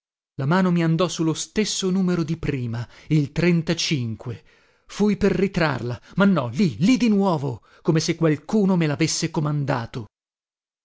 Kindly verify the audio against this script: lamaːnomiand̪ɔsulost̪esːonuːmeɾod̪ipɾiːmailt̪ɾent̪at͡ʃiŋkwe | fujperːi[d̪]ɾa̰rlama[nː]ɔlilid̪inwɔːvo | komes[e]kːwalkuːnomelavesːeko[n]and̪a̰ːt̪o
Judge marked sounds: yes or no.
no, yes, yes, no

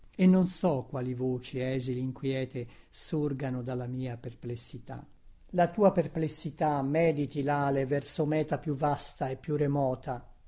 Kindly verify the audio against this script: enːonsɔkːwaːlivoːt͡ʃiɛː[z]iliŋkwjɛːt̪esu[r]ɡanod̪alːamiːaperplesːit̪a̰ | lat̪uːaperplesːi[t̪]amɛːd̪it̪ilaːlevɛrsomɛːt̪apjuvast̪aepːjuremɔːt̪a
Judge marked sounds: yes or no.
yes, yes, yes

